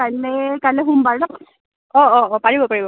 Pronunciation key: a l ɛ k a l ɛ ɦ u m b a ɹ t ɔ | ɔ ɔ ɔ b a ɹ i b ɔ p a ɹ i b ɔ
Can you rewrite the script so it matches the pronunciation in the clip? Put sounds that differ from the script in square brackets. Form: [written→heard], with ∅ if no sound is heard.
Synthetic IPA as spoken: a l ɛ k a l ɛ ɦ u m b a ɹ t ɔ | ɔ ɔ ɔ [b→p] a ɹ i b ɔ p a ɹ i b ɔ